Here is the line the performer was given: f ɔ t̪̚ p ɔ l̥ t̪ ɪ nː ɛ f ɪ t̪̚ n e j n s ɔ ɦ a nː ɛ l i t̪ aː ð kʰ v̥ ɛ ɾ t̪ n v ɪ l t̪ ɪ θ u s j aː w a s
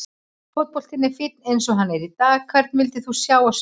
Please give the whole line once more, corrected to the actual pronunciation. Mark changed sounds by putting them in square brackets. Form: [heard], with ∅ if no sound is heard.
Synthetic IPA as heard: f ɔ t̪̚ p ɔ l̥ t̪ ɪ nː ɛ f ɪ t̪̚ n e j n s ɔ ɦ a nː ɛ [ɾ] i t̪ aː [ɣ] kʰ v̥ ɛ ɾ t̪ n v ɪ l t̪ ɪ θ u s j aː w a s